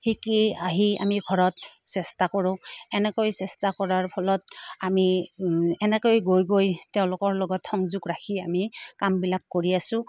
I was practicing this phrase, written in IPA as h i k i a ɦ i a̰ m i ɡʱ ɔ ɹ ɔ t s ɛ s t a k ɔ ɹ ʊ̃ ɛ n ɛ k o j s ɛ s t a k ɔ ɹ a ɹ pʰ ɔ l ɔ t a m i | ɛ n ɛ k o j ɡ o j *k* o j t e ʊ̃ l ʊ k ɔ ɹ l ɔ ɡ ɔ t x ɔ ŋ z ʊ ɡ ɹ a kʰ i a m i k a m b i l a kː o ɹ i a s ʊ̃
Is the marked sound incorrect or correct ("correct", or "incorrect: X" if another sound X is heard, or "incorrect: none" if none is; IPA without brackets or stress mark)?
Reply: incorrect: ɡ